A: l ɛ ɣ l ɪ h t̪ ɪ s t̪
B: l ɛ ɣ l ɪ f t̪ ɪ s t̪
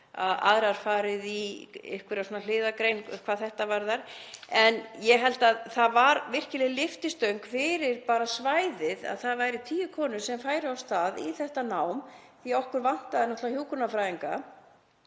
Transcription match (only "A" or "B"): B